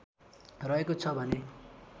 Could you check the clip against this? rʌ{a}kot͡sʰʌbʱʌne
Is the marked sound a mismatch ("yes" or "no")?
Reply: yes